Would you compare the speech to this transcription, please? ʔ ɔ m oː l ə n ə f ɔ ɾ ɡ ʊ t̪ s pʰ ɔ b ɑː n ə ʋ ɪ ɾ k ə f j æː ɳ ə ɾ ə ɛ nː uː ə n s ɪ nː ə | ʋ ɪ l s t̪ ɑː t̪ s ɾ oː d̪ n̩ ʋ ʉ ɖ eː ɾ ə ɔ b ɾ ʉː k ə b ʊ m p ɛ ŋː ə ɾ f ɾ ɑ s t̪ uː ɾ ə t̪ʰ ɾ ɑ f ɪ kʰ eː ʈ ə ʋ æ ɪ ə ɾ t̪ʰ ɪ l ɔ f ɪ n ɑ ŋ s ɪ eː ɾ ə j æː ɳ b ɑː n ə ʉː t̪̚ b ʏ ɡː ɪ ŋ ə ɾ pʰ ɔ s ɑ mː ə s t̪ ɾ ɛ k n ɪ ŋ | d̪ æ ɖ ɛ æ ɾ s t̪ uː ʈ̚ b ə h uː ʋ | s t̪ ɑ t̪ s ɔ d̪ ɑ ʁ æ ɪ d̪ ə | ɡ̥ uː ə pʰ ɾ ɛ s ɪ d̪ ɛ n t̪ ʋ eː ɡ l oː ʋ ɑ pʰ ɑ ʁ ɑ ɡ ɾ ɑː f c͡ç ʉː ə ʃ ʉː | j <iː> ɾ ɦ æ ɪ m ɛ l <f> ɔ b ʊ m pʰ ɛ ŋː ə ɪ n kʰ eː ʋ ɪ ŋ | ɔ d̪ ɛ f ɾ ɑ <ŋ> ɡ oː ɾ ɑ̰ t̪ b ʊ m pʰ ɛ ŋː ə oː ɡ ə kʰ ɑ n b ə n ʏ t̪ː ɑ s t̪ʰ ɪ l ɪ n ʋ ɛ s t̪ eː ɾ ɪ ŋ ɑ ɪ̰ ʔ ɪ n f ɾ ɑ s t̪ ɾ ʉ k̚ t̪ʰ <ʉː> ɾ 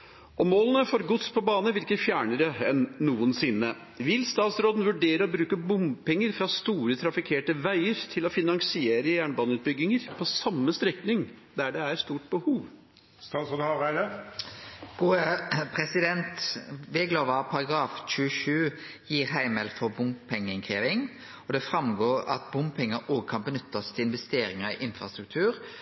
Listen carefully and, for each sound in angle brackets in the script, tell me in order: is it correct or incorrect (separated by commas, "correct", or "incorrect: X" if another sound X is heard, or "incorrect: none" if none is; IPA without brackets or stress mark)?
correct, correct, incorrect: m, correct